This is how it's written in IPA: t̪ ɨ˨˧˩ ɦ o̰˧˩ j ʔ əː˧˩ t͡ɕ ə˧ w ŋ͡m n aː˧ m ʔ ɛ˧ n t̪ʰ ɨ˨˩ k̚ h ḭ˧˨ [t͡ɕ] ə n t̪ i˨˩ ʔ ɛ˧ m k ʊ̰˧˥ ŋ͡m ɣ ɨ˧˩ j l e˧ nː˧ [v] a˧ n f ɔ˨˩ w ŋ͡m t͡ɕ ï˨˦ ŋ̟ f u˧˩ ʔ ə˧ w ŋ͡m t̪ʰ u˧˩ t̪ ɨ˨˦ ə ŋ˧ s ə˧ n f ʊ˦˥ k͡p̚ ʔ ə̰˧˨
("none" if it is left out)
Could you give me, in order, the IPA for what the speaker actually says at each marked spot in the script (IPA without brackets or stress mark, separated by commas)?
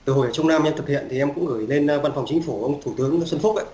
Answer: none, v